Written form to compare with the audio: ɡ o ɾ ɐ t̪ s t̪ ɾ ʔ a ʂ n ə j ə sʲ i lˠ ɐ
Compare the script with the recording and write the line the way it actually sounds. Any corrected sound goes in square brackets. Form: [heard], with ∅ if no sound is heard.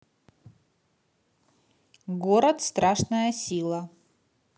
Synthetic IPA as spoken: ɡ o ɾ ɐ t̪ s t̪ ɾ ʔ a ʂ n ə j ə sʲ i lˠ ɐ